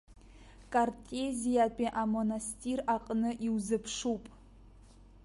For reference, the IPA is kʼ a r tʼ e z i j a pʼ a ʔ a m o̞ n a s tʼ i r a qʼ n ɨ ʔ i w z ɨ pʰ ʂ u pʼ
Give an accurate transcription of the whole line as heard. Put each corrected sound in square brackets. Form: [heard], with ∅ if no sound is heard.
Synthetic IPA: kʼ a r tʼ e z i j a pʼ [i] ʔ a m o̞ n a s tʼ i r a qʼ n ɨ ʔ i w z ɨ pʰ ʂ u pʼ